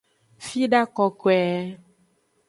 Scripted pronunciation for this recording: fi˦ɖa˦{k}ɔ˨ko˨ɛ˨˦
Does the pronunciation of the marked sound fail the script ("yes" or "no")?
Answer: no